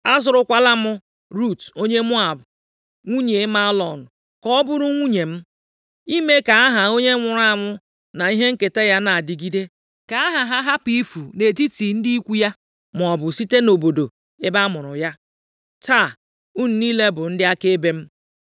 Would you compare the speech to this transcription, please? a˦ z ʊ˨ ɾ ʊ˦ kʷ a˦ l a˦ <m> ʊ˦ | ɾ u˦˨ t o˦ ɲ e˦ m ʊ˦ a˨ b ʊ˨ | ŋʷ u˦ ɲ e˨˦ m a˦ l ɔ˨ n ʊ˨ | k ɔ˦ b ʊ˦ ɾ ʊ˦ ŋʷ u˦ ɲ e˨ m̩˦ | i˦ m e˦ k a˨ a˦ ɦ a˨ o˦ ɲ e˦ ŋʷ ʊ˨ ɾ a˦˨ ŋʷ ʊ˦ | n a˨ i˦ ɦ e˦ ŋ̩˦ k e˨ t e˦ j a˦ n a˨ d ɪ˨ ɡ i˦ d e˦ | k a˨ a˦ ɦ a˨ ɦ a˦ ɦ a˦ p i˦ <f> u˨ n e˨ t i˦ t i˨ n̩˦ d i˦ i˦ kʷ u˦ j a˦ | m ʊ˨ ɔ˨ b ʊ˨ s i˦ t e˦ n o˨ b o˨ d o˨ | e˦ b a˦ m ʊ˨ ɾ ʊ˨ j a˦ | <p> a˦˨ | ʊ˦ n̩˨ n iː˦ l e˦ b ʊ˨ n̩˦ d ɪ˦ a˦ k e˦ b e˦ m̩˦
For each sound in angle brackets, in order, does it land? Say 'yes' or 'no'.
yes, yes, no

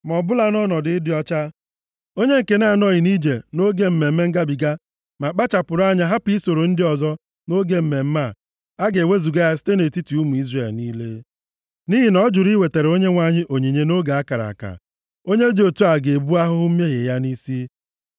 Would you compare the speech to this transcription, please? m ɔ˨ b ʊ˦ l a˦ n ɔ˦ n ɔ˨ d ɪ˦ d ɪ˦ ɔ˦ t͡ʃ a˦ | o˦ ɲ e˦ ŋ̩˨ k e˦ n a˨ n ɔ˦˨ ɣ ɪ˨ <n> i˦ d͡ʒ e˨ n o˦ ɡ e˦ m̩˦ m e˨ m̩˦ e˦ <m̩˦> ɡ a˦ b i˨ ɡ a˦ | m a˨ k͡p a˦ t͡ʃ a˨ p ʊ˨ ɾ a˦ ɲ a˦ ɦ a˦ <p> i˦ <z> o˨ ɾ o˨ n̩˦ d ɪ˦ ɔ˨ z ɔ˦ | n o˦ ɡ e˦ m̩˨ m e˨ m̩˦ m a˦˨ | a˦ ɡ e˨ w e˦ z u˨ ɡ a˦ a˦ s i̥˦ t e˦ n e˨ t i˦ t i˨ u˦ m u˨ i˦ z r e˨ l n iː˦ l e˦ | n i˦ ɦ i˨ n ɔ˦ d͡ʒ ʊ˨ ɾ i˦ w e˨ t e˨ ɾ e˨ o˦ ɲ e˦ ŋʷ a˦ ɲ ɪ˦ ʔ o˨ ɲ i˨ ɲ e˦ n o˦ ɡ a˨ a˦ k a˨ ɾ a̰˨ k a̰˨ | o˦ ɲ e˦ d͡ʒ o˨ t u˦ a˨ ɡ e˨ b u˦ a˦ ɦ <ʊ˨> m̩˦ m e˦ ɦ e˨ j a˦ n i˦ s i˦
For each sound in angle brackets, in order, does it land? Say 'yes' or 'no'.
yes, no, yes, no, no

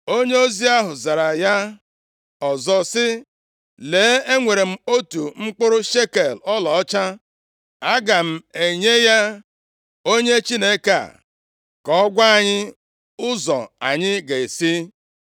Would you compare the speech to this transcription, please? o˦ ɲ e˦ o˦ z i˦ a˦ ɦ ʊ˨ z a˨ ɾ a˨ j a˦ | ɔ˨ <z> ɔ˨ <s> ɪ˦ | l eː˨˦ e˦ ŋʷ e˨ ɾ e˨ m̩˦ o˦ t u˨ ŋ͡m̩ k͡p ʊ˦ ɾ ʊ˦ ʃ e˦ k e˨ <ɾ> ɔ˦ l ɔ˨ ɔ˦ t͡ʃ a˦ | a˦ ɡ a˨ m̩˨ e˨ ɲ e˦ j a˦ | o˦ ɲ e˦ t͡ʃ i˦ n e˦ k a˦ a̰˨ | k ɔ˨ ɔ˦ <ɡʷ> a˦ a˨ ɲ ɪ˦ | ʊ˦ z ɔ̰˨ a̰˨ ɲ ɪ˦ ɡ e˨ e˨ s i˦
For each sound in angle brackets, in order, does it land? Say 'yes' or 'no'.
yes, yes, no, yes

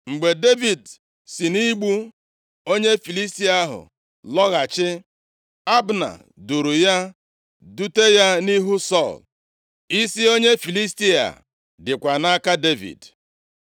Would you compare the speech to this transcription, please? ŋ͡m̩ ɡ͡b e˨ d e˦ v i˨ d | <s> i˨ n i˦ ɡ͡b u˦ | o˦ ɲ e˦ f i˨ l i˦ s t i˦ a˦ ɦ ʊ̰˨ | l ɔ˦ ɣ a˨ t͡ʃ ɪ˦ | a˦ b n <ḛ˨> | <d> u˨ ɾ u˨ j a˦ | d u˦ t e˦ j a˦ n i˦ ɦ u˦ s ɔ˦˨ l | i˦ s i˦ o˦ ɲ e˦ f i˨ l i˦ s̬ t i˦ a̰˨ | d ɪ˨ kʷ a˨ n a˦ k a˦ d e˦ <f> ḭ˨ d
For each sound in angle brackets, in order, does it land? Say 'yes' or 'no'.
yes, no, yes, no

